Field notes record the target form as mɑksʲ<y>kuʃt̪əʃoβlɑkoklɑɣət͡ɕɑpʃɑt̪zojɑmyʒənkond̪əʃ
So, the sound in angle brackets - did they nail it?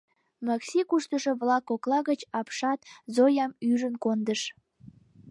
no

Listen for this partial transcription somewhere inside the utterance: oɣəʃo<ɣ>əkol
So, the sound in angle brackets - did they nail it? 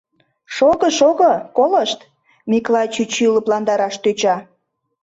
yes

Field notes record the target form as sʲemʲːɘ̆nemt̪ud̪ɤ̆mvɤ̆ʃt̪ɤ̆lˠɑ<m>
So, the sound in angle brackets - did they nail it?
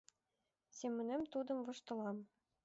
yes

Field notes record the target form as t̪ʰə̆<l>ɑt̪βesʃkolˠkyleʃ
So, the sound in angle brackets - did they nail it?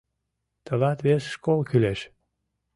yes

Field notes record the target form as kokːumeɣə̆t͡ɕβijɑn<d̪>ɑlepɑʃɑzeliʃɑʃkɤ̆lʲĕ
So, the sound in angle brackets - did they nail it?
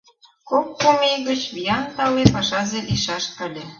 no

